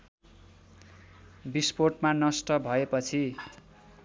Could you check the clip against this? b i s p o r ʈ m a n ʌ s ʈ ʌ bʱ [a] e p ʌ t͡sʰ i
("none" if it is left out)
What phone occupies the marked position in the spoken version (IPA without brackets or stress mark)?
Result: ʌ